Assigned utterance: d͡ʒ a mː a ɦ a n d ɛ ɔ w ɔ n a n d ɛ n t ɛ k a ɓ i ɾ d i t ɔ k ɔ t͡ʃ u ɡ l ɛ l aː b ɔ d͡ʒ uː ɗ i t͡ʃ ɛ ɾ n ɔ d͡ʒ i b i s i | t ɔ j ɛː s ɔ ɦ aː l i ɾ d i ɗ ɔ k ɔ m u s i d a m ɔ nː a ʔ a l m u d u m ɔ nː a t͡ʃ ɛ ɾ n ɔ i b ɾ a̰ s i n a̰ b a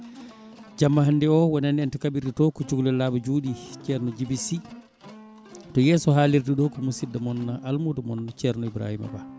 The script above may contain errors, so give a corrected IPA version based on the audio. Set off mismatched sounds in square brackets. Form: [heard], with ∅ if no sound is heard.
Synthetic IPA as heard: d͡ʒ a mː a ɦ a n d ɛ ɔ w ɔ n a n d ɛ n t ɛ k a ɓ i ɾ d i t ɔ k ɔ t͡ʃ u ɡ l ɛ l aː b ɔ d͡ʒ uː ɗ i t͡ʃ ɛ ɾ n ɔ d͡ʒ i b i s i | t ɔ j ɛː s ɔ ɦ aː l i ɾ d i ɗ ɔ k ɔ m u s i d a m ɔ nː a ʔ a l m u d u m ɔ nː a t͡ʃ ɛ ɾ n ɔ i b ɾ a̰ [h] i [m] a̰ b a